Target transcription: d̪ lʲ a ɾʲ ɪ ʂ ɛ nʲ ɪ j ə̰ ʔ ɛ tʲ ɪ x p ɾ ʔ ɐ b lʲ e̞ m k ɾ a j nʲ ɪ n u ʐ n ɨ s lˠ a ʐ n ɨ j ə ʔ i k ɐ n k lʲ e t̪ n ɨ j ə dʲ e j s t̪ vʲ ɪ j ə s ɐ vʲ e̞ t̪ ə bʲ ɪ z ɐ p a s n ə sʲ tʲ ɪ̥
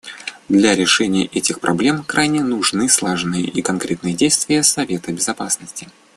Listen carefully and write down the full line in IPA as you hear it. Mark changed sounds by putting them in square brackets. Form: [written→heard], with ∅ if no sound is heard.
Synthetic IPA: d̪ lʲ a ɾʲ ɪ ʂ ɛ nʲ ɪ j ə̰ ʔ ɛ tʲ ɪ x p ɾ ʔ ɐ b lʲ e̞ m k ɾ a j nʲ ɪ n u ʐ n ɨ s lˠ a ʐ n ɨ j ə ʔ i k ɐ n k [lʲ→ɾʲ] e t̪ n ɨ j ə dʲ e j s t̪ vʲ ɪ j ə s ɐ vʲ e̞ t̪ ə bʲ ɪ z ɐ p a s n ə sʲ tʲ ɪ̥